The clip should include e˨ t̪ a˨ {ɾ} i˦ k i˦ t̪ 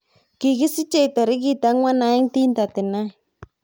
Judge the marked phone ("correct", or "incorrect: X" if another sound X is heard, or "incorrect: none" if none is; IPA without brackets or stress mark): correct